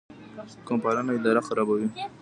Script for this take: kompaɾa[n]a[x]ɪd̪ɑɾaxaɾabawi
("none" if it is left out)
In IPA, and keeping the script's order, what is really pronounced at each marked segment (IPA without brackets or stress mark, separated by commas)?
n, none